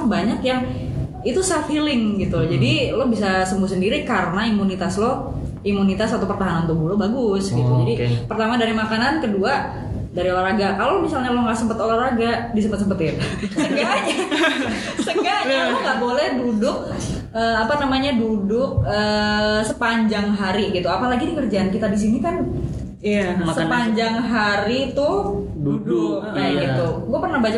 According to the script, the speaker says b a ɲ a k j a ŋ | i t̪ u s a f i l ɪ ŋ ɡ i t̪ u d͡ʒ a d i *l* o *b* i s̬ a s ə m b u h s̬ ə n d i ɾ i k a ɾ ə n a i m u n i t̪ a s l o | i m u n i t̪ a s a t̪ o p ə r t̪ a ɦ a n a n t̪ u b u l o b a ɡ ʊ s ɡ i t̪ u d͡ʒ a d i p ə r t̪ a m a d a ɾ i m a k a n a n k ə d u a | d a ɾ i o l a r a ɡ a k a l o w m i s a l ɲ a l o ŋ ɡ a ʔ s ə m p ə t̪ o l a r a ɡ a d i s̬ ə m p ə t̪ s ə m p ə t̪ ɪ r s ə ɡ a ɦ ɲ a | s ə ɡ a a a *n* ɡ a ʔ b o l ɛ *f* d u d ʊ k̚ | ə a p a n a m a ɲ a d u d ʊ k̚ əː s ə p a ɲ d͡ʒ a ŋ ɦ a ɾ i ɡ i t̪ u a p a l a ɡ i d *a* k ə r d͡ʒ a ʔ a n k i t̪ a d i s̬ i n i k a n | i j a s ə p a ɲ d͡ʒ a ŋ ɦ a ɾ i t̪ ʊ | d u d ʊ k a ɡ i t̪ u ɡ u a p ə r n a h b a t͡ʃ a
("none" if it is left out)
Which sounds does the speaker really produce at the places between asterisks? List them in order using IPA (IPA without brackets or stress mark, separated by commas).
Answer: l, b, ŋ, h, i